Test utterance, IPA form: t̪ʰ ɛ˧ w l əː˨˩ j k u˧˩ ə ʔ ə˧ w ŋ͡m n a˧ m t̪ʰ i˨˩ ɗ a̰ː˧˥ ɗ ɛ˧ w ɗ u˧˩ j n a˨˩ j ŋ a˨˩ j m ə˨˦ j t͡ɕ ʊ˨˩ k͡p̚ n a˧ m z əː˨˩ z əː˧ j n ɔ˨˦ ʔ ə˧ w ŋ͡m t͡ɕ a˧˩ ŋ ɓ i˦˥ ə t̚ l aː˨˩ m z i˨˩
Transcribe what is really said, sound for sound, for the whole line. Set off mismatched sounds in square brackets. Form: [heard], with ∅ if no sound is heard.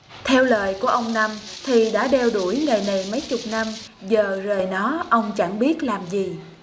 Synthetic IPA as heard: t̪ʰ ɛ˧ w l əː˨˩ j k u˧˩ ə ʔ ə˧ w ŋ͡m n a˧ m t̪ʰ i˨˩ ɗ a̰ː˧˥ ɗ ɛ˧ w ɗ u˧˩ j [ŋ] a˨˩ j [n] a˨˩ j m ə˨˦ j t͡ɕ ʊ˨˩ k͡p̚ n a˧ m z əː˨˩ z [əː˨˩] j n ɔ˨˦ ʔ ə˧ w ŋ͡m t͡ɕ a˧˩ ŋ ɓ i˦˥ ə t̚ l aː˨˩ m z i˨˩